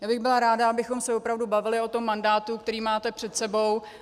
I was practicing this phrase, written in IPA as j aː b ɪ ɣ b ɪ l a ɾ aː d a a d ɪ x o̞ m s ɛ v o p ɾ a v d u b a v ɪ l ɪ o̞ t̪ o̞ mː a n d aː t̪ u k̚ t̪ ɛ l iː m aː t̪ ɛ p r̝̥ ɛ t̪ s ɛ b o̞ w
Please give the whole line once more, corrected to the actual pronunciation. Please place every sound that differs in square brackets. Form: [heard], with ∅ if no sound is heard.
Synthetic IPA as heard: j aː b ɪ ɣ b ɪ l a ɾ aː d a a [b] ɪ x o̞ m s ɛ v o p ɾ a v d u b a v ɪ l ɪ o̞ t̪ o̞ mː a n d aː t̪ u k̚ t̪ ɛ [ɾ] iː m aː t̪ ɛ p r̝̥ ɛ t̪ s ɛ b o̞ w